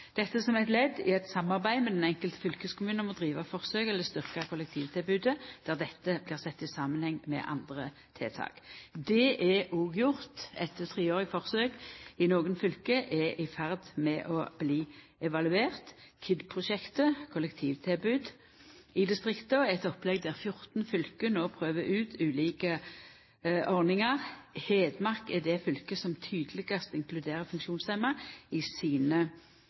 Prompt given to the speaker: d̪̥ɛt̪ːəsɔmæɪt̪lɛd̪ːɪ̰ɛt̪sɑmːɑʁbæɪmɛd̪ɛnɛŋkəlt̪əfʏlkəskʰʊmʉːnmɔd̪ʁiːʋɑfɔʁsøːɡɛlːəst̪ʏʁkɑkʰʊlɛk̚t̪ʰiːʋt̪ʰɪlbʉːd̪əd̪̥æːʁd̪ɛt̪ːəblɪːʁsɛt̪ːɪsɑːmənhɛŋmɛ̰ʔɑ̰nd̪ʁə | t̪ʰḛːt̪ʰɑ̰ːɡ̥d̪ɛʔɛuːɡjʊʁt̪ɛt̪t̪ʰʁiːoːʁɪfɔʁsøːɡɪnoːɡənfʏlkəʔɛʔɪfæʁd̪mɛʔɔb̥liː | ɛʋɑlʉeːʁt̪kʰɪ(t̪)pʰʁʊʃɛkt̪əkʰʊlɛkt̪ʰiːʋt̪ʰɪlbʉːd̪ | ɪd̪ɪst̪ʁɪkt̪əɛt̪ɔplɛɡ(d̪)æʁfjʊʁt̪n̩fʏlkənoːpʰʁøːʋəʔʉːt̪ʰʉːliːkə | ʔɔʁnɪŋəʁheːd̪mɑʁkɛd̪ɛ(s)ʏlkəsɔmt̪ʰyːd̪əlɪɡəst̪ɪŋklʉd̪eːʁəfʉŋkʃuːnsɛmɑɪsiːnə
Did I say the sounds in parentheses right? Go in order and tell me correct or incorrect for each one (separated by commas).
incorrect, correct, incorrect